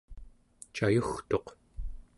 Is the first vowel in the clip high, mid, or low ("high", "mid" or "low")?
low